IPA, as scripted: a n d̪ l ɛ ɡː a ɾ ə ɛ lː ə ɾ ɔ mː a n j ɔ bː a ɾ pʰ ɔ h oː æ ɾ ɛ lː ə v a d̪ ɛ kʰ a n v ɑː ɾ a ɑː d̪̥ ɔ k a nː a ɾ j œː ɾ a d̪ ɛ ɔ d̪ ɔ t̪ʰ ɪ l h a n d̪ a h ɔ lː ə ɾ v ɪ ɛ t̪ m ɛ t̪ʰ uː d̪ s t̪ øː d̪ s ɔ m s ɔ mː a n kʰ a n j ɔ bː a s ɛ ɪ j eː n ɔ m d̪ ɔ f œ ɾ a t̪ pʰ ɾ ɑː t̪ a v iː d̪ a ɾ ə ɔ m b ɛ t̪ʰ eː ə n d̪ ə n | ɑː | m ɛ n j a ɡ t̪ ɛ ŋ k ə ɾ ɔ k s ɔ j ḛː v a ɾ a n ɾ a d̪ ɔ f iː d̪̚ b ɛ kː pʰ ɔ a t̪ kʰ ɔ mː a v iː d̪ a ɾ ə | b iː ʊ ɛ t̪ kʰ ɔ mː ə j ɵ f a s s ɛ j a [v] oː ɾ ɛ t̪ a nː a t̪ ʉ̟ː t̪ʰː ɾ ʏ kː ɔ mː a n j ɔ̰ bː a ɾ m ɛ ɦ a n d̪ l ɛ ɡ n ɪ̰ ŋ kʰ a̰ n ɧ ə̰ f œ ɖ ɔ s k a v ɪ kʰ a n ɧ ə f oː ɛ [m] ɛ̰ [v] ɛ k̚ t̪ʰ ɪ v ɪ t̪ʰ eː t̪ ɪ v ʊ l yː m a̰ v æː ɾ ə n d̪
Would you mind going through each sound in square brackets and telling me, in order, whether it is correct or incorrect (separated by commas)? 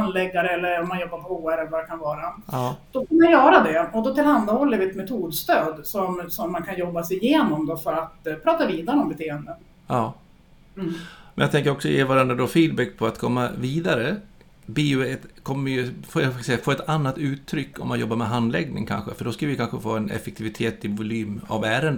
incorrect, incorrect, incorrect